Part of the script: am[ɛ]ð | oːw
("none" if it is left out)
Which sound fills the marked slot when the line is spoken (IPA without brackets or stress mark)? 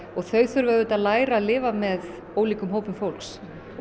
ɛ